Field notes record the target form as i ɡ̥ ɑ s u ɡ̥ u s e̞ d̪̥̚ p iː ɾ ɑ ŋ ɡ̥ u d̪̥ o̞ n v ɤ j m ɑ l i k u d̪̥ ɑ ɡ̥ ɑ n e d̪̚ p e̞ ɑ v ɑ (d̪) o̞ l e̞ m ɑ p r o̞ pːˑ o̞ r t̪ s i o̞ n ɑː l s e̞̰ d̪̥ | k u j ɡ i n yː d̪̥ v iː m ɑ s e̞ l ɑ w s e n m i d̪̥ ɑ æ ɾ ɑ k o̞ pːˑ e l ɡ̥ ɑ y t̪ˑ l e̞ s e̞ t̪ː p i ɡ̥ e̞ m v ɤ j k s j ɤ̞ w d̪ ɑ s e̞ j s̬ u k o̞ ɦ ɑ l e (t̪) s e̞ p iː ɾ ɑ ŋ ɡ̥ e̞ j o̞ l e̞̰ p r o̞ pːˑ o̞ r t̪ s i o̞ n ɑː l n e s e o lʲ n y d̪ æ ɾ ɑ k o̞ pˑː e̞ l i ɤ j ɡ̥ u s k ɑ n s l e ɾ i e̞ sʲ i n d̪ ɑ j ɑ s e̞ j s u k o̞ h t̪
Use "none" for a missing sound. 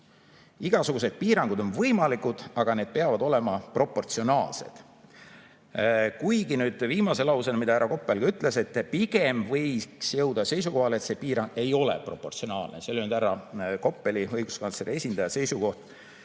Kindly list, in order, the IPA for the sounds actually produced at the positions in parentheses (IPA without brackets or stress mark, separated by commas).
d̪, t̪